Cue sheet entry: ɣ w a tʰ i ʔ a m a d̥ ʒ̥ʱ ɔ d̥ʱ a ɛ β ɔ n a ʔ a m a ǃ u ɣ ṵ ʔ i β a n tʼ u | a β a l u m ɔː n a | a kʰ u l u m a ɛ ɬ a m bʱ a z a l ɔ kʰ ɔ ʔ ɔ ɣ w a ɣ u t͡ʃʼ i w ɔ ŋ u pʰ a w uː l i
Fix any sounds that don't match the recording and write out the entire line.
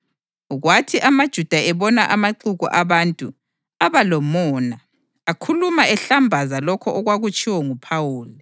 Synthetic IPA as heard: ɣ w a tʰ i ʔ a m a d̥ ʒ̥ʱ u d̥ʱ a ɛ β ɔ n a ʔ a m a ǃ u ɣ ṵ ʔ a β a n tʼ u | a β a l ɔ m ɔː n a | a kʰ u l u m a ɛ ɬ a m bʱ a z a l ɔ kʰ ɔ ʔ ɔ ɣ w a ɣ u t͡ʃʼ i w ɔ ŋ u pʰ a w uː l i